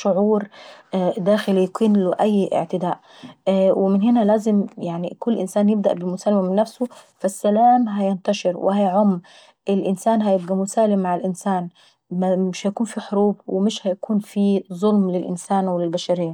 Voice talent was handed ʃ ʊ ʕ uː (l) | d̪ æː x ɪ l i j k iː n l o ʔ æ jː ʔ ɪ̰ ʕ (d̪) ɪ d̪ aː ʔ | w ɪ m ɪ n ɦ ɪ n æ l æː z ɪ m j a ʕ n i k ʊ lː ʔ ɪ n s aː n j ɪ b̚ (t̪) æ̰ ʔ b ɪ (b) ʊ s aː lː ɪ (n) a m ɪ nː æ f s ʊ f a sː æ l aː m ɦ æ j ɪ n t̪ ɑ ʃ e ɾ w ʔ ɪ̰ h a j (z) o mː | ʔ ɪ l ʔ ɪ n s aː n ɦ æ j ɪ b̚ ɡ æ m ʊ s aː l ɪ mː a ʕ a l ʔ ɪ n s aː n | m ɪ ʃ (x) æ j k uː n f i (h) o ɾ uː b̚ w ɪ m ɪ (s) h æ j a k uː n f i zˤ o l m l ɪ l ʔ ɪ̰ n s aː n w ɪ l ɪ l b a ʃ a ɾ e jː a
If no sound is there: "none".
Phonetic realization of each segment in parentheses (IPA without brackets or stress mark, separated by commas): ɾ, t̪, d̪, m, m, ʕ, h, ħ, ʃ